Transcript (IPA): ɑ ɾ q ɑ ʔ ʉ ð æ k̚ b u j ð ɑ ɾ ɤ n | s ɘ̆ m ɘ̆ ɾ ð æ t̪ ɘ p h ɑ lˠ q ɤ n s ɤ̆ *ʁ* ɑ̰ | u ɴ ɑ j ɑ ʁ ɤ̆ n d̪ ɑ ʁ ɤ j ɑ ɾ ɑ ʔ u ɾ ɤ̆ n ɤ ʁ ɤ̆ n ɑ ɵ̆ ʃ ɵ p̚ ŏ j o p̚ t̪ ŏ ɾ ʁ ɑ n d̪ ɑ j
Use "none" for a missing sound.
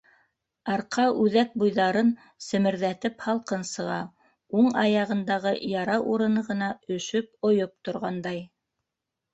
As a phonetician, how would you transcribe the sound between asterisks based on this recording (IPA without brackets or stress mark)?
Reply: ʁ